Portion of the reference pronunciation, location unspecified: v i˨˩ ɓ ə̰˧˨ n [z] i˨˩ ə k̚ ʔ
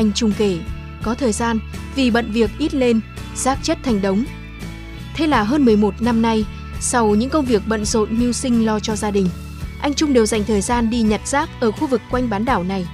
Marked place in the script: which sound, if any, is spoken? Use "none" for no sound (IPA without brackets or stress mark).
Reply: v